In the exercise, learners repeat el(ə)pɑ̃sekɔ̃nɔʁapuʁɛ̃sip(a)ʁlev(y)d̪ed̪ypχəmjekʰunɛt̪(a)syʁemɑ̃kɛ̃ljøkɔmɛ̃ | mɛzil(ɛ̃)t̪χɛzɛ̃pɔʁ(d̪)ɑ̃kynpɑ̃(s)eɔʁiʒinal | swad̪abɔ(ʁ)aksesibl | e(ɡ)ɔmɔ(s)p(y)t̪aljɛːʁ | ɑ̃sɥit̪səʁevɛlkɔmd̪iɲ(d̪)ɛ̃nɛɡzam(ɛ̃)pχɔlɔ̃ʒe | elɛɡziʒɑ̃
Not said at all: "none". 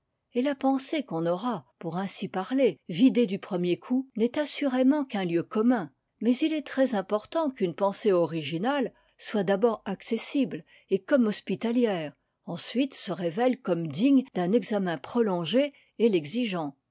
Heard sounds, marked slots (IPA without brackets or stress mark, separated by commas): a, a, i, a, ɛ, t̪, s, ʁ, k, s, i, d̪, ɛ̃